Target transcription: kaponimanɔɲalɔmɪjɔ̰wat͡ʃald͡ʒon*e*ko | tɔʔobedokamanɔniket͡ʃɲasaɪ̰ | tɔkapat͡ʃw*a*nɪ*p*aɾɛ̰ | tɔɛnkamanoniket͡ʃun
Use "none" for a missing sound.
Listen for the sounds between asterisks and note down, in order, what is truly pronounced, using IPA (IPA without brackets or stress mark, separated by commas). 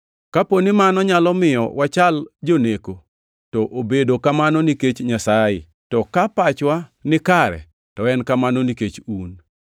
e, a, k